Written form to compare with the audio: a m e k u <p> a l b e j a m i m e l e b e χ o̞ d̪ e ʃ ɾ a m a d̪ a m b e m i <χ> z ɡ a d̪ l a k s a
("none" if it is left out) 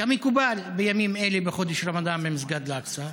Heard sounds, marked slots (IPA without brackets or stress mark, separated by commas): b, none